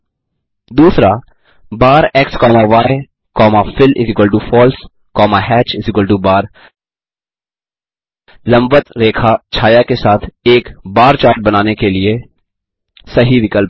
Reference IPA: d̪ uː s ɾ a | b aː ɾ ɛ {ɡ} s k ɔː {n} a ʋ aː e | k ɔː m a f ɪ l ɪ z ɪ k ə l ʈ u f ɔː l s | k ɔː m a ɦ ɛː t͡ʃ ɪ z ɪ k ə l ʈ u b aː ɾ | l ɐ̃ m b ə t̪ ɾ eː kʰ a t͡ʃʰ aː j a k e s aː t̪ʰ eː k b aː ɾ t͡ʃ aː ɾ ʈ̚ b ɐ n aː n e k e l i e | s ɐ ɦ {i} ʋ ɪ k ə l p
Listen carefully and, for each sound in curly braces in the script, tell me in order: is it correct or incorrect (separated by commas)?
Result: incorrect, incorrect, correct